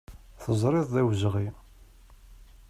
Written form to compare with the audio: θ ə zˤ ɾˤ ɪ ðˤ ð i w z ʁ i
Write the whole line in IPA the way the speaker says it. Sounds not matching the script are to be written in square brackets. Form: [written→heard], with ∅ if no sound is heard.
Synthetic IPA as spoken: θ ə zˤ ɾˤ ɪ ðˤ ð [i→æ] w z ʁ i

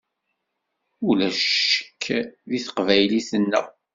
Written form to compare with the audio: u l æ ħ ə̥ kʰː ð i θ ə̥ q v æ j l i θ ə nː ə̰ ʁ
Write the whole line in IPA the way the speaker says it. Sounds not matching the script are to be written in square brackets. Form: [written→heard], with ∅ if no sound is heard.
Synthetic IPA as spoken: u l æ [ħ→ʃ] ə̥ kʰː ð i θ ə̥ q v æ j l i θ ə nː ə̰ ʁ

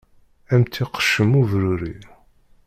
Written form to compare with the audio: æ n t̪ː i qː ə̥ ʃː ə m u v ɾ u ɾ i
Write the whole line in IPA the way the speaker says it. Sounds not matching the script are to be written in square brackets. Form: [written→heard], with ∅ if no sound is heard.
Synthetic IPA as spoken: æ [n→m] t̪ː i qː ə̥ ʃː ə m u v ɾ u ɾ i

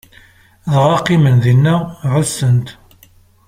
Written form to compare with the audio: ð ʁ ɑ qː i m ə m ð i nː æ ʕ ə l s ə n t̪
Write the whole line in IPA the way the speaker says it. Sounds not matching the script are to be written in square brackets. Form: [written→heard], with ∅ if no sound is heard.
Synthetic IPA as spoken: ð ʁ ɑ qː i m ə [m→n] ð i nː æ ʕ ə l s ə n t̪

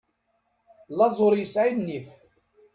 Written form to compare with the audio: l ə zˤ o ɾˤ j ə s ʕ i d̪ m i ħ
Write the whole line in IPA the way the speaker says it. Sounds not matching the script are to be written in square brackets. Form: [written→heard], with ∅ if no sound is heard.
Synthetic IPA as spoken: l [ə→ɑ] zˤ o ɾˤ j ə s ʕ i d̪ [m→n] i [ħ→f]

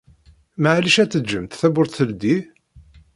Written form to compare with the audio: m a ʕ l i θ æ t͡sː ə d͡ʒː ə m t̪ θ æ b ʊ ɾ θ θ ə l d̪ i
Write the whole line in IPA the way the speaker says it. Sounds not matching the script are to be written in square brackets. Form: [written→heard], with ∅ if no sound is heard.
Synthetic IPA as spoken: m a ʕ l i [θ→ʃ] æ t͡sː ə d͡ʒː ə m t̪ θ æ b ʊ ɾ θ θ ə l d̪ i

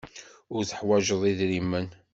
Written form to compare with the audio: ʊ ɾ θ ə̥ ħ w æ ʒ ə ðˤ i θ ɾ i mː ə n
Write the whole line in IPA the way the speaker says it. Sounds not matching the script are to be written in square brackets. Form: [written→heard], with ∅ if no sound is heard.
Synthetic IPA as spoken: ʊ ɾ θ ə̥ ħ w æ ʒ ə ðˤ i [θ→ð] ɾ i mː ə n

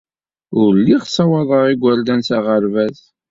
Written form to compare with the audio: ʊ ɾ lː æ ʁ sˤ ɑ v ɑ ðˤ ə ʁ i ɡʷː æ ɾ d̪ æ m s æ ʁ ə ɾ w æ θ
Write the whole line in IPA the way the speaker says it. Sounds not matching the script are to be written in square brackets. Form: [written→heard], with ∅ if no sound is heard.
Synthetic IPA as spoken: ʊ ɾ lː [æ→i] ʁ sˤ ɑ [v→w] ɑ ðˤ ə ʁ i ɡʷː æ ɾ d̪ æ [m→n] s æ ʁ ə ɾ [w→v] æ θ

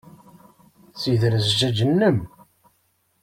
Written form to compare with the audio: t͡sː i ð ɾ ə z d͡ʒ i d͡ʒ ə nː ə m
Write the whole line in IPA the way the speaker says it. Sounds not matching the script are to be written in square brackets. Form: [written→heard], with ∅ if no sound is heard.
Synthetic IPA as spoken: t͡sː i ð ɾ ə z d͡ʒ [i→æ] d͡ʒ ə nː ə m

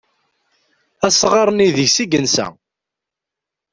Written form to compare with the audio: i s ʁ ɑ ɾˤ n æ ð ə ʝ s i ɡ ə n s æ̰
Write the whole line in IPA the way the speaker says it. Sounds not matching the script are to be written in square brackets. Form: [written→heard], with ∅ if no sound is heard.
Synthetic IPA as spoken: [i→æ] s ʁ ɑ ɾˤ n [æ→i] ð ə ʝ s i ɡ ə n s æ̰

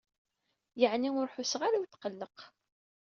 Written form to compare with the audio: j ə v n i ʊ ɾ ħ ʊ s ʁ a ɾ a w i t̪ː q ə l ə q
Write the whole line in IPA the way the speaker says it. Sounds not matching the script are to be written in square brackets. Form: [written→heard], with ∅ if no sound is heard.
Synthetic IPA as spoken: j ə [v→ʕ] n i ʊ ɾ ħ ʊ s ʁ a ɾ a w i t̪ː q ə [l→lː] ə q

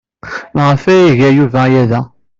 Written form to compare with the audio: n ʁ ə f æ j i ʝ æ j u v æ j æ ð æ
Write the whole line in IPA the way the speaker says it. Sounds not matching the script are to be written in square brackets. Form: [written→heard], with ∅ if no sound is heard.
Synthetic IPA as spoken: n ʁ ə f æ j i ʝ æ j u v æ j æ ð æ

